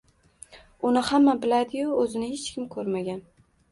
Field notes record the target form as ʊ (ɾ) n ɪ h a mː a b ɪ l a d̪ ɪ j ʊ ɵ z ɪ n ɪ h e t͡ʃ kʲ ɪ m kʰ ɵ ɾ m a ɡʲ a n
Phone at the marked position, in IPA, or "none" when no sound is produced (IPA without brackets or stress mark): none